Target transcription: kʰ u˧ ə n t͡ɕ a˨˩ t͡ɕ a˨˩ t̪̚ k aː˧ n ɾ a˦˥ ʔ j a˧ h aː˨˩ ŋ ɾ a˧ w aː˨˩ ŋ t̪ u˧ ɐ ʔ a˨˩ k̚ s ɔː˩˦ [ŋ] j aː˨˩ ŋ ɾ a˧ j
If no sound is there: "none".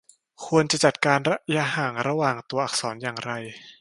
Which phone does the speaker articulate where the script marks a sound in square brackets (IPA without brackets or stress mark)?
n